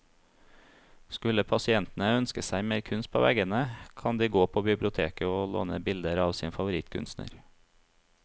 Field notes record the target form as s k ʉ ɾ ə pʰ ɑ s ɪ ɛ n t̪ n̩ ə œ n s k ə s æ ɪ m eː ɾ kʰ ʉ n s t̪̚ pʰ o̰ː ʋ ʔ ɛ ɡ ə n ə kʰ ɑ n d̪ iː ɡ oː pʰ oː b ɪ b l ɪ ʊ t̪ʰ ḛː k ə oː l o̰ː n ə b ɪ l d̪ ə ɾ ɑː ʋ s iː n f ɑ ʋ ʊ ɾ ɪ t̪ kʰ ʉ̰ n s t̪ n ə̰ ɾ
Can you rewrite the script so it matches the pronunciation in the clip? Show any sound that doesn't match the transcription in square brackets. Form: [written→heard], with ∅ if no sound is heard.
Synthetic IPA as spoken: s k ʉ [ɾ→l] ə pʰ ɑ s ɪ ɛ n t̪ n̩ ə œ n s k ə s æ ɪ m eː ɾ kʰ ʉ n s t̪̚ pʰ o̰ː ʋ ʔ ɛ ɡ ə n ə kʰ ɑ n d̪ iː ɡ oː pʰ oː b ɪ b l ɪ ʊ t̪ʰ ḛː k ə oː l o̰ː n ə b ɪ l d̪ ə ɾ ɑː ʋ s iː n f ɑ ʋ ʊ ɾ ɪ t̪ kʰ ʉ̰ n s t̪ n ə̰ ɾ